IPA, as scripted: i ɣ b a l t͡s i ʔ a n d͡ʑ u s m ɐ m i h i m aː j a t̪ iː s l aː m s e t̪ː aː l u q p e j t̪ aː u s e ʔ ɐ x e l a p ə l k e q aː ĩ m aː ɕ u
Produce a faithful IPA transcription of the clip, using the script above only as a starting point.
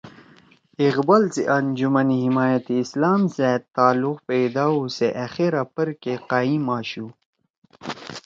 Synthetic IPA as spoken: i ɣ b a l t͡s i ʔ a n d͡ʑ u m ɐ n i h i m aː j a t̪ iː s l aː m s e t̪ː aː l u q p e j d̪ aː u s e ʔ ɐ x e ɾ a p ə ɾ k e q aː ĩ m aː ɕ u